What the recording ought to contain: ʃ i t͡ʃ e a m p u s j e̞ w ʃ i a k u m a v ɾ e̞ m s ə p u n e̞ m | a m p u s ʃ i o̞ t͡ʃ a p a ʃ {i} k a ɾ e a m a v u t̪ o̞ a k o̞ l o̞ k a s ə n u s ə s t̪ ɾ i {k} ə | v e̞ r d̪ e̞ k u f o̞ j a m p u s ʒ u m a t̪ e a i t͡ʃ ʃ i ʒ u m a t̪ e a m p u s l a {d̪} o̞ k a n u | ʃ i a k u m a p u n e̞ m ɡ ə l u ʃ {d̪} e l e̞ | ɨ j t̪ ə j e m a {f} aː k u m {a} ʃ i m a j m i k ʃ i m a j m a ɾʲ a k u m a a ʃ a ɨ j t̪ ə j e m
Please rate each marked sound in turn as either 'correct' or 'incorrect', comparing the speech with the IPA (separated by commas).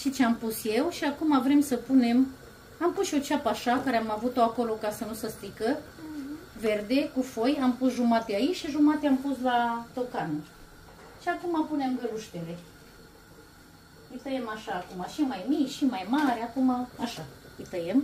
incorrect, correct, incorrect, incorrect, incorrect, correct